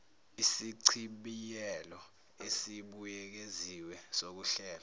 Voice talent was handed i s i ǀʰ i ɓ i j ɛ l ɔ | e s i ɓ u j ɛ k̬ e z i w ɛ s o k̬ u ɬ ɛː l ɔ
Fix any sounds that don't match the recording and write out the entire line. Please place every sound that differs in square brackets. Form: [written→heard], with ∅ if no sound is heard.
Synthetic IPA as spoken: i s i ǀʰ i ɓ i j ɛ l ɔ | e s i ɓ u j ɛ k̬ e z i w ɛ s o k̬ u ɬ ɛː l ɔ